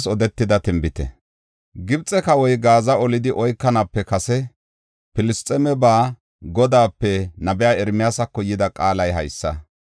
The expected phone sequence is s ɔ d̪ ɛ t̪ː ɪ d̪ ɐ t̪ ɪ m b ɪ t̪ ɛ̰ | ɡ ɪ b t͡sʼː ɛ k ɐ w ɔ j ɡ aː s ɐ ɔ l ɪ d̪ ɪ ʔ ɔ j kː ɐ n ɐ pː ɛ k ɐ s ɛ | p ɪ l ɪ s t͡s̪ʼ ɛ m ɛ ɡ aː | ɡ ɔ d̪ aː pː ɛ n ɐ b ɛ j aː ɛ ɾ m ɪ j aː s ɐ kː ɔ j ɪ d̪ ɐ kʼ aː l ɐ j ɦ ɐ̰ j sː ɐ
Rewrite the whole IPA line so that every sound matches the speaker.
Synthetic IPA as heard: s ɔ d̪ ɛ t̪ː ɪ d̪ ɐ t̪ ɪ m b ɪ t̪ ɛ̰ | ɡ ɪ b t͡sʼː ɛ k ɐ w ɔ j ɡ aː z ɐ ɔ l ɪ d̪ ɪ ʔ ɔ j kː ɐ n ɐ pː ɛ k ɐ s ɛ | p ɪ l ɪ s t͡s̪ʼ ɛ m ɛ b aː | ɡ ɔ d̪ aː pː ɛ n ɐ b ɛ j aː ɛ ɾ m ɪ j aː s ɐ kː ɔ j ɪ d̪ ɐ kʼ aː l ɐ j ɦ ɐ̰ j sː ɐ